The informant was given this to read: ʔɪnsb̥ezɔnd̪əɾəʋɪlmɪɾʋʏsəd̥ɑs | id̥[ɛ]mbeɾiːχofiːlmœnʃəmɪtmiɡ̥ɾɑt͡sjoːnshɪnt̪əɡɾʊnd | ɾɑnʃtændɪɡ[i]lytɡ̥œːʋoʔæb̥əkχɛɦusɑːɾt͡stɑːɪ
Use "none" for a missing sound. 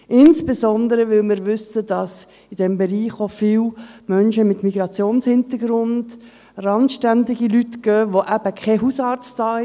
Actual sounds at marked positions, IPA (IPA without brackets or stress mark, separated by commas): ɛ, i